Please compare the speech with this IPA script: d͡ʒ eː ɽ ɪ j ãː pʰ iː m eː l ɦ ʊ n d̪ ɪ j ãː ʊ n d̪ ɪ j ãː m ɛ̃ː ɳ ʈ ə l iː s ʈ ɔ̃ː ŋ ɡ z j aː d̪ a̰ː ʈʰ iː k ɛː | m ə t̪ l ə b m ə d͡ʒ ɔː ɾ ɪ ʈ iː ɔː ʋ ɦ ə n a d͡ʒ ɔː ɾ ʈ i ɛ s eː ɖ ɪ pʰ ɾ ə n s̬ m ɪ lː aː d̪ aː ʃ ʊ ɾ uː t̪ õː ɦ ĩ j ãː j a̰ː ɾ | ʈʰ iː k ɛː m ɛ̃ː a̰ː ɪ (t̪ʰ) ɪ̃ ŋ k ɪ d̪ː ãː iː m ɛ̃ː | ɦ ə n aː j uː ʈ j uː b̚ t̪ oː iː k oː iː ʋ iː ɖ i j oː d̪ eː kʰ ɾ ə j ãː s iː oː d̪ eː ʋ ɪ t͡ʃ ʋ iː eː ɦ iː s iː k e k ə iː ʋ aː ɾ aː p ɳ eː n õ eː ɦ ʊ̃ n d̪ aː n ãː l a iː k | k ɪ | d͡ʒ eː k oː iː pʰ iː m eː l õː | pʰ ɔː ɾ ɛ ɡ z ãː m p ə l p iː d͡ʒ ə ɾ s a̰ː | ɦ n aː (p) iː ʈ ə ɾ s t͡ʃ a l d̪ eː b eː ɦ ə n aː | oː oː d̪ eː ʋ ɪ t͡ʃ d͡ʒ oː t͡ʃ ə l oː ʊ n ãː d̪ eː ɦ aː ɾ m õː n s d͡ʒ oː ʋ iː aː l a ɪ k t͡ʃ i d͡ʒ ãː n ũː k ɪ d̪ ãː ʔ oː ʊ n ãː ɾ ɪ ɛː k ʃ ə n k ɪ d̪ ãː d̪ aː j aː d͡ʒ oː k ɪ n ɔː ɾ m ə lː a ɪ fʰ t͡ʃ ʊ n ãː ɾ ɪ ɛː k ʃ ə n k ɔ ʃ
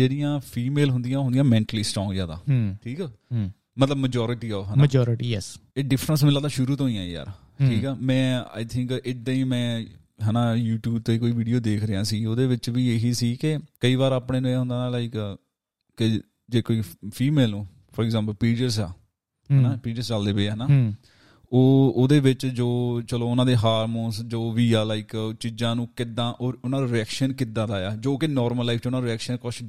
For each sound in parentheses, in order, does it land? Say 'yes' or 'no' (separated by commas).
yes, yes